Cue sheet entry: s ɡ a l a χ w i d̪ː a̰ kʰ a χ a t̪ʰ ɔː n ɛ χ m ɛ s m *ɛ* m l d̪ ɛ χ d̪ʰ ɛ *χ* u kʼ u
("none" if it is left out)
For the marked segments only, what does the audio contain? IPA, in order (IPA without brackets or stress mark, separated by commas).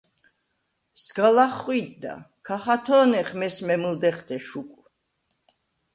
ɛ, ʃ